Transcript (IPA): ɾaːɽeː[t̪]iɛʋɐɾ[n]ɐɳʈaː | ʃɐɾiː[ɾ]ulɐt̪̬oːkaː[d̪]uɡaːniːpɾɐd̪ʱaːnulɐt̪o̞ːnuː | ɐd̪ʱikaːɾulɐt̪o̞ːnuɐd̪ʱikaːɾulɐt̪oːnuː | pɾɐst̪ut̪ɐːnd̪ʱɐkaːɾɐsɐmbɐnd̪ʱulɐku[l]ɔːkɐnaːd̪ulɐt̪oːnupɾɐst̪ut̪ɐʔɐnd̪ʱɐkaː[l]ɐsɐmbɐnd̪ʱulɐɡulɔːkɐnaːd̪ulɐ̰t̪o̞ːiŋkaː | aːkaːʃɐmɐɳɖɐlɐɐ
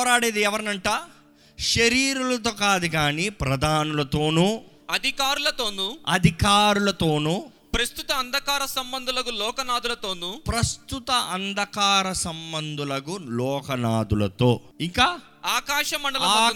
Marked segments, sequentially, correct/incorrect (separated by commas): incorrect, correct, correct, correct, correct, incorrect